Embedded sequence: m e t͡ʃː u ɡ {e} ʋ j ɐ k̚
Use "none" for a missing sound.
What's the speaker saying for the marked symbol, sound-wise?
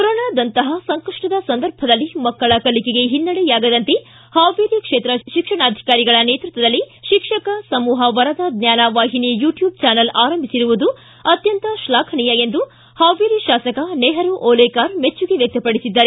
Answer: e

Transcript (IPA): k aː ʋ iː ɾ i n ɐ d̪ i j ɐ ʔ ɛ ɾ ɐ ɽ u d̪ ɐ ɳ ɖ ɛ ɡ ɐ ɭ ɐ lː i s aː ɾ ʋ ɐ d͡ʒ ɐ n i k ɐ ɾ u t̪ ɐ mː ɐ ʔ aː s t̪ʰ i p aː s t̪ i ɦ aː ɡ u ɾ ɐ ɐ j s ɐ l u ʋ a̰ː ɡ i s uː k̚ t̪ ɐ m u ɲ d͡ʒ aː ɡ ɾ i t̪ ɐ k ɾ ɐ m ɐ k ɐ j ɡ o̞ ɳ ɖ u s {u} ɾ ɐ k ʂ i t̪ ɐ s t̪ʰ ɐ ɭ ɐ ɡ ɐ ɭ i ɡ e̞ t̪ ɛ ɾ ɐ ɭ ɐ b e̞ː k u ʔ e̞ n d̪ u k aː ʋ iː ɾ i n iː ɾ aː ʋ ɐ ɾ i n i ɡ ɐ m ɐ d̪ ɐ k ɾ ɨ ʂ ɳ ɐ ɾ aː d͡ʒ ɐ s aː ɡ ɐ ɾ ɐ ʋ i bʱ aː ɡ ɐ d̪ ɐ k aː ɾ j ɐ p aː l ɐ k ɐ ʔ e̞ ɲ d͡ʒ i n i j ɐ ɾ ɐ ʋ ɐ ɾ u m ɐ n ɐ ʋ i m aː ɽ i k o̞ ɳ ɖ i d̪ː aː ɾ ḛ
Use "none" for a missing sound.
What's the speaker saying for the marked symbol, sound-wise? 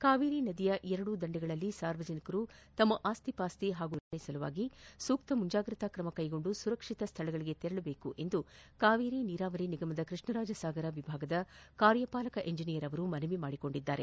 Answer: u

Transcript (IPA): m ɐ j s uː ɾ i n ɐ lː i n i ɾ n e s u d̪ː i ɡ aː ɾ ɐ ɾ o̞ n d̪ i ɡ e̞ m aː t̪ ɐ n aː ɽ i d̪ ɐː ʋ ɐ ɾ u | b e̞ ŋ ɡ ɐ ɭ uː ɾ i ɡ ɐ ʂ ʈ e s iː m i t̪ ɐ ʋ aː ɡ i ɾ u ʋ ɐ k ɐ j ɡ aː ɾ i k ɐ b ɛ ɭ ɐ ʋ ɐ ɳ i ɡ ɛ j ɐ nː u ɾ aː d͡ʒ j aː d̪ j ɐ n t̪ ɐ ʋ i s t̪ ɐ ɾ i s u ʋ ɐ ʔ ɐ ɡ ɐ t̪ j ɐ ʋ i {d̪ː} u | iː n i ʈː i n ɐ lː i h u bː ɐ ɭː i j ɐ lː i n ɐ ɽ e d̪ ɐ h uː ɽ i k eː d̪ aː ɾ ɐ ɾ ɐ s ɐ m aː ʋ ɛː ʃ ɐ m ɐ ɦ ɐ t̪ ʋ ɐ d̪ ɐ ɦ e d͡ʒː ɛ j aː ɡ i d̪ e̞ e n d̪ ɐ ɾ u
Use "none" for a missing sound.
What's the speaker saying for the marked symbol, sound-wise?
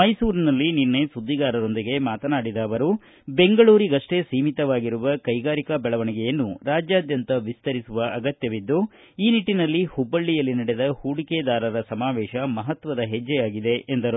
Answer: d̪ː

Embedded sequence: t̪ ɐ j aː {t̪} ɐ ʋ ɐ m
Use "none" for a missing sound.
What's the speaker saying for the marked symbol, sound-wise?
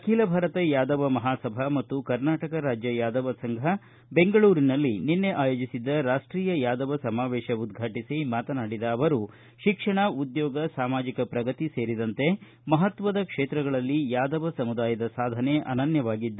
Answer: d̪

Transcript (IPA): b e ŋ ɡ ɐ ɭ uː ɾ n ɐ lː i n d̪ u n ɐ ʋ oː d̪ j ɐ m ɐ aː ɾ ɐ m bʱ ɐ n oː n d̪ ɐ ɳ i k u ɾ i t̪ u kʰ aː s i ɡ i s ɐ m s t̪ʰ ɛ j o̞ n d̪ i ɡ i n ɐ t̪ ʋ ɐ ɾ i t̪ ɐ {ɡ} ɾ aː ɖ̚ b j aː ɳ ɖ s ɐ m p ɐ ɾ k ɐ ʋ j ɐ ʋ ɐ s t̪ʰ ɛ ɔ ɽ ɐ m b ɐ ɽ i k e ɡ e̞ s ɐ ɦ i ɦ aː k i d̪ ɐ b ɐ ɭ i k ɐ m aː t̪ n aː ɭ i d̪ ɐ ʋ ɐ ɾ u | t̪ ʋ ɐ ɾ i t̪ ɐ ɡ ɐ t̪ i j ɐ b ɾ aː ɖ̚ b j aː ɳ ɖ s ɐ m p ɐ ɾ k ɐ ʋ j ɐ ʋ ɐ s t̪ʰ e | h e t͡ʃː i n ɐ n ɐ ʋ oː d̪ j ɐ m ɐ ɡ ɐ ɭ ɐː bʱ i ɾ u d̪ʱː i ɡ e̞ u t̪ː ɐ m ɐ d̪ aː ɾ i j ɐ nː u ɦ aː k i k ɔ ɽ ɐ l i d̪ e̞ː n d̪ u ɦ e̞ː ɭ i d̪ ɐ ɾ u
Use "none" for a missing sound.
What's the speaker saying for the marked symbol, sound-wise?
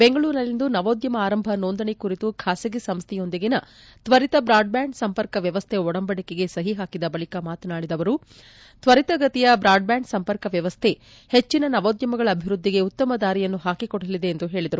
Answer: b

